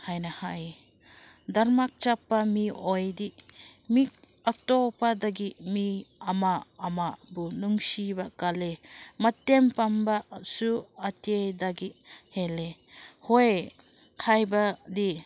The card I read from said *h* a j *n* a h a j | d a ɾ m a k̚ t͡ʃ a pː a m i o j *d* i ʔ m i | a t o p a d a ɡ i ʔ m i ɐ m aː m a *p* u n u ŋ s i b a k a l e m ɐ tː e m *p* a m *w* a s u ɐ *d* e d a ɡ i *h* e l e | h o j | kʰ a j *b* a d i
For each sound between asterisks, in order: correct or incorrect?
correct, correct, correct, incorrect, correct, incorrect, incorrect, correct, correct

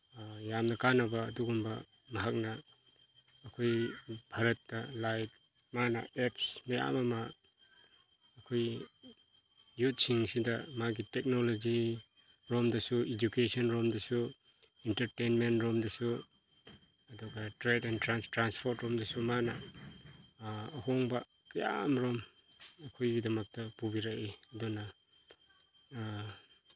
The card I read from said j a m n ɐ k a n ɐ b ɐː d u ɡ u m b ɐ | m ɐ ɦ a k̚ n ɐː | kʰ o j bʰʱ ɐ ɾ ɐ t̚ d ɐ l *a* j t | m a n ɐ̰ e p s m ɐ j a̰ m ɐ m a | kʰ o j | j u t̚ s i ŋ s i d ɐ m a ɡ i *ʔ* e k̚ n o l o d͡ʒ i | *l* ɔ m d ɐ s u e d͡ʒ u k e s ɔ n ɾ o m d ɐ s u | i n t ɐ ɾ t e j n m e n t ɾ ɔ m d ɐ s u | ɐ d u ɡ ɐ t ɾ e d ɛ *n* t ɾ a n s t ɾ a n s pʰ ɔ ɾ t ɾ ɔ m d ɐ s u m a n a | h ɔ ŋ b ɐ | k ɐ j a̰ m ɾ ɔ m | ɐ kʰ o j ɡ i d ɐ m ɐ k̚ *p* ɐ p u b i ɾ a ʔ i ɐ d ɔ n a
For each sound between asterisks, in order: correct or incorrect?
correct, incorrect, incorrect, correct, incorrect

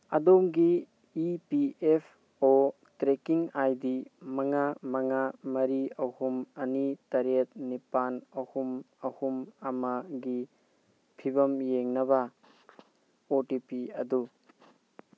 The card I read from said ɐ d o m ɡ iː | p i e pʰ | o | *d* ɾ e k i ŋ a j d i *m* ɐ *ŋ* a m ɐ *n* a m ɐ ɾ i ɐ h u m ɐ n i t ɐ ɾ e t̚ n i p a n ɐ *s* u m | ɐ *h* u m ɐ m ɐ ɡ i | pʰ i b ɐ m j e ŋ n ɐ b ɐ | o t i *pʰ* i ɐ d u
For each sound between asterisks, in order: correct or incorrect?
incorrect, correct, correct, incorrect, incorrect, correct, incorrect

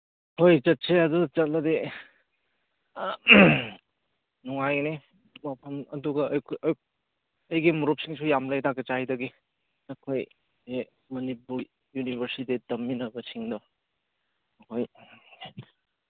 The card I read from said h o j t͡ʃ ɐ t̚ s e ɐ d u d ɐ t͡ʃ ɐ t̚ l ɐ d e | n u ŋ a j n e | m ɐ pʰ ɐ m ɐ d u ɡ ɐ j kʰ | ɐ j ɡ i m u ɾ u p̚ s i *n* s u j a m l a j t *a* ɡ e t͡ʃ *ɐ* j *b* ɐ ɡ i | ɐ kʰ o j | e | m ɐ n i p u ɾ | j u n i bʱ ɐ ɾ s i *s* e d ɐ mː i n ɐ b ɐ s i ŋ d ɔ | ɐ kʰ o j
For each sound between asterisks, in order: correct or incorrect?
incorrect, correct, incorrect, incorrect, incorrect

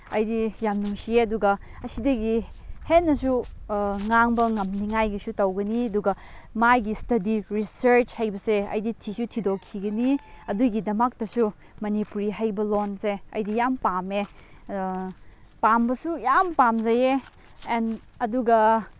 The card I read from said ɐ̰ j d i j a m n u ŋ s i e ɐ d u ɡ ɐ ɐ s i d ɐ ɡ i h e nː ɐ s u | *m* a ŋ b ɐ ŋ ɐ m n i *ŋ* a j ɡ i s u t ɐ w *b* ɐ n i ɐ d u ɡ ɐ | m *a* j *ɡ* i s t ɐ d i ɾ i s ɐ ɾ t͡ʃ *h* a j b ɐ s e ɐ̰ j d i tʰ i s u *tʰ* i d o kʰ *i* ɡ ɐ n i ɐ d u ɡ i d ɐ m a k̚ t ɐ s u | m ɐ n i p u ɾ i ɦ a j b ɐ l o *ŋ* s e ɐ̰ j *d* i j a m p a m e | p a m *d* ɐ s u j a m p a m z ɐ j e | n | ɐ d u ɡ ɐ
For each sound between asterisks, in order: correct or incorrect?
incorrect, correct, incorrect, correct, correct, correct, correct, correct, incorrect, correct, incorrect

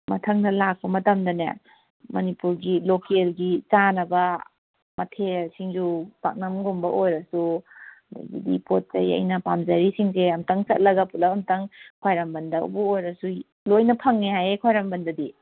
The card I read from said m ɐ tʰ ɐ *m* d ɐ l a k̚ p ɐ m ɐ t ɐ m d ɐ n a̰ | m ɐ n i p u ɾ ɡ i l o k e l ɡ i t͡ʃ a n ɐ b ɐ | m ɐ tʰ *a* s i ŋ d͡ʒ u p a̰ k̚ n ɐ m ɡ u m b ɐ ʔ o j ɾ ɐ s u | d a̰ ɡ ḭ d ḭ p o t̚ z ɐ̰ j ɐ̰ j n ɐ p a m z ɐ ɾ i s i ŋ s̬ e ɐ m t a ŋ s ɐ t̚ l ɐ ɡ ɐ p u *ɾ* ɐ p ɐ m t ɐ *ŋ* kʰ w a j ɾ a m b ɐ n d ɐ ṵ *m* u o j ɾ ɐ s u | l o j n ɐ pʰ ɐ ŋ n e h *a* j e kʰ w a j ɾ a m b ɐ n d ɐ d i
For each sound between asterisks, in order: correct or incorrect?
incorrect, incorrect, incorrect, correct, incorrect, correct

